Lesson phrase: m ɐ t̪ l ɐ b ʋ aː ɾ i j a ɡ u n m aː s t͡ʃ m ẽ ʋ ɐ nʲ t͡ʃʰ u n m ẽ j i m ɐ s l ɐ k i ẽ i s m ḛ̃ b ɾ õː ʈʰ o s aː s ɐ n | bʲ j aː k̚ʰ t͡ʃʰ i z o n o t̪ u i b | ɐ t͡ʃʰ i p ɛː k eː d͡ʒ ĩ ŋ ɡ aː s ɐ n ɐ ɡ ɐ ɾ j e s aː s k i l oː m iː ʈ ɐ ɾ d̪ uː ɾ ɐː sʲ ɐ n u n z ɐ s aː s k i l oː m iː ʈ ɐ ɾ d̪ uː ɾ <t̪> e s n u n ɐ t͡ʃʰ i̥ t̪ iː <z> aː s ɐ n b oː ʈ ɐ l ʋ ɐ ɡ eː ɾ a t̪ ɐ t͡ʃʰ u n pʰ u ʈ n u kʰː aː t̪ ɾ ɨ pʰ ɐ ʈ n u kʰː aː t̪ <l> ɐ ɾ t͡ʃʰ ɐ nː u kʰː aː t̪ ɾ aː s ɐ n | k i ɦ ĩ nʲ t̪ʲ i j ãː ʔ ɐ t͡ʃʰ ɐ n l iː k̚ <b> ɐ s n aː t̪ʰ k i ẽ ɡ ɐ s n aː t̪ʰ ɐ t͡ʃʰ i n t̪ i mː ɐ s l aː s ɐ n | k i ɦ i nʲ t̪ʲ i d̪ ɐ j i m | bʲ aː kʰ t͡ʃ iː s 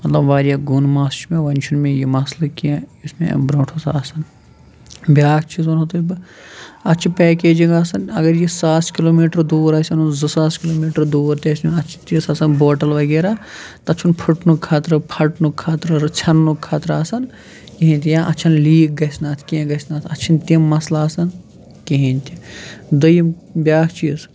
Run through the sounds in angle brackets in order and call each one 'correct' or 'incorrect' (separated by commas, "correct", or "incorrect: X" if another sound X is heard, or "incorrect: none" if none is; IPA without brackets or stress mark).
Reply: correct, incorrect: s, incorrect: ɾ, incorrect: ɡ